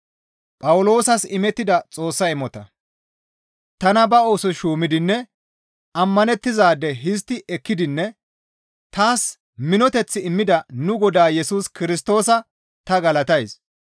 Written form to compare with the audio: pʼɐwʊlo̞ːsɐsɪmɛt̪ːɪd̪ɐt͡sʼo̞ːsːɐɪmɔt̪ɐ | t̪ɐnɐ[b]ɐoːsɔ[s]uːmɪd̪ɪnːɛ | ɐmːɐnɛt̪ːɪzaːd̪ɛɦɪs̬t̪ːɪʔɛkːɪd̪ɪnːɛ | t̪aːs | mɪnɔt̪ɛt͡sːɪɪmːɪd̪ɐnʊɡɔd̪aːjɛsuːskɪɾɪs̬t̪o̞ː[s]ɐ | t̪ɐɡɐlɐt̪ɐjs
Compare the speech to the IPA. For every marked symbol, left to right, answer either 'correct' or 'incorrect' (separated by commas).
correct, incorrect, correct